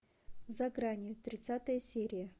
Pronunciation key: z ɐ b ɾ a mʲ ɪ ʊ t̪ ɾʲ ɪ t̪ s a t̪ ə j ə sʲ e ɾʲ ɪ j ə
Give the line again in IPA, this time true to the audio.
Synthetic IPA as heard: z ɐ ɡ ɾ a nʲ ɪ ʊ t̪ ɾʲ ɪ t̪ s a t̪ ə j ə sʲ e ɾʲ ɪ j ə